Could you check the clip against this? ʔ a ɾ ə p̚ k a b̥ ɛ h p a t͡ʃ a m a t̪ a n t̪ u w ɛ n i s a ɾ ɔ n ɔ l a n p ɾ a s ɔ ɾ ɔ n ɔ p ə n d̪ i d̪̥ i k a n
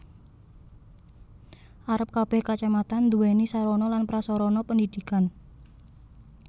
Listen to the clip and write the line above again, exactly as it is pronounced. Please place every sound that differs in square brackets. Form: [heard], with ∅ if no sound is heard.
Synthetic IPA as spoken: ʔ a ɾ ə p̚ k a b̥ ɛ h [k] a t͡ʃ a m a t̪ a n [d̪] u w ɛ n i s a ɾ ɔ n ɔ l a n p ɾ a s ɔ ɾ ɔ n ɔ p ə n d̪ i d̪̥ i k a n